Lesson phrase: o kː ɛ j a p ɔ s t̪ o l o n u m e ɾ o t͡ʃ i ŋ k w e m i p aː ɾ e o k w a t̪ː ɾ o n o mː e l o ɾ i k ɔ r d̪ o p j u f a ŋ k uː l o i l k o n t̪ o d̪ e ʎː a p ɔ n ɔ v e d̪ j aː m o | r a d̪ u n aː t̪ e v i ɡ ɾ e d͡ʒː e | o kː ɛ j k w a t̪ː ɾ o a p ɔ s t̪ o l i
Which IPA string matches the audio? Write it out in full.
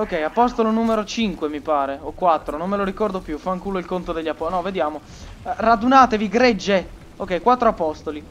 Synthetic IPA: o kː ɛ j a p ɔ s t̪ o l o n u m e ɾ o t͡ʃ i ŋ k w e m i p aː ɾ e o k w a t̪ː ɾ o n o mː e l o ɾ i k ɔ r d̪ o p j u f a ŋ k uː l o i l k o n t̪ o d̪ e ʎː a p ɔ n ɔ v e d̪ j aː m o | r a d̪ u n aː t̪ e v i ɡ ɾ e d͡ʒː e | o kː ɛ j k w a t̪ː ɾ o a p ɔ s t̪ o l i